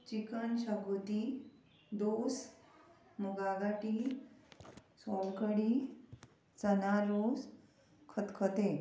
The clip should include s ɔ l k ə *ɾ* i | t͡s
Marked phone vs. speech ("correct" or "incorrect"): incorrect